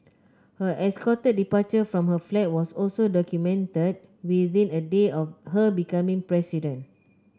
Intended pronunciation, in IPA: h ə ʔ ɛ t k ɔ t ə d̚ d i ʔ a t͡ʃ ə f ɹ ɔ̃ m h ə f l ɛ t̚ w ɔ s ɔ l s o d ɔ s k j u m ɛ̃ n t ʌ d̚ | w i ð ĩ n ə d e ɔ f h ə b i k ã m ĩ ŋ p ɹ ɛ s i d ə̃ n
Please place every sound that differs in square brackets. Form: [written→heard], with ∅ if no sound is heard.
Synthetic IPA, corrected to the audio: h ə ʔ ɛ [t→s] k ɔ t ə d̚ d i [ʔ→p] a t͡ʃ ə f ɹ ɔ̃ m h ə f l ɛ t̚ w ɔ s ɔ l s o d ɔ [s→∅] k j u m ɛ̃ n t [ʌ→ə] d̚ | w i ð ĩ n ə d e ɔ f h ə b i k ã m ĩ ŋ p ɹ ɛ s i d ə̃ n